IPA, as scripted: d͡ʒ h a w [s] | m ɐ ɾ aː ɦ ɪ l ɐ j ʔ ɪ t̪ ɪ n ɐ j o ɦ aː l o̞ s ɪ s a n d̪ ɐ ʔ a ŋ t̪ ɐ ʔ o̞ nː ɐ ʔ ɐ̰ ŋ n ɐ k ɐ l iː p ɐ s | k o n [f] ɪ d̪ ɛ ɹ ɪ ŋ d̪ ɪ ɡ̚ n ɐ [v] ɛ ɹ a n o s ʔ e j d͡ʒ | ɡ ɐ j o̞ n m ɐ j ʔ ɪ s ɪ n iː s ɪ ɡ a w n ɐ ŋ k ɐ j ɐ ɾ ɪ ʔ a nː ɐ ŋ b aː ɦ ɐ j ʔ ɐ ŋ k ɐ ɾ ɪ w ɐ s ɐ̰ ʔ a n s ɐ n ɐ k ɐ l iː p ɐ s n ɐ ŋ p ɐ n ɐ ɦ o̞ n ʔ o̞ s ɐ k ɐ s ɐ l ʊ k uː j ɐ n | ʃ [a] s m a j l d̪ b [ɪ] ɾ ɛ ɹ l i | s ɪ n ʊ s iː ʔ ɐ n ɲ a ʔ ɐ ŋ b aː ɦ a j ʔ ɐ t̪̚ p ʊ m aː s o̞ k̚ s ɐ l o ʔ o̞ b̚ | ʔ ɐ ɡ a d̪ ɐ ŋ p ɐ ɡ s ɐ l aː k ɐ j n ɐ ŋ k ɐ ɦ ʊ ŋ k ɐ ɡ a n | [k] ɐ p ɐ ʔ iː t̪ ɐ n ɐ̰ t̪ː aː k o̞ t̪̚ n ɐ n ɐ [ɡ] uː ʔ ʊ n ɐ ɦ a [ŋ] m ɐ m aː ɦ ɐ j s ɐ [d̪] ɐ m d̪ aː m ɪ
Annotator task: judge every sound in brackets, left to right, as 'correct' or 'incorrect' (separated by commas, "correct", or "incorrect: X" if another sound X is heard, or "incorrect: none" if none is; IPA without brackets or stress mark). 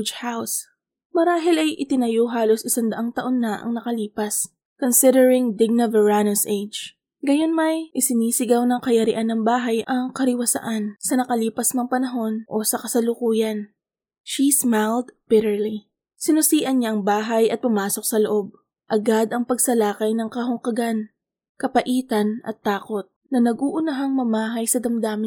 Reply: correct, incorrect: s, correct, incorrect: i, correct, correct, correct, correct, correct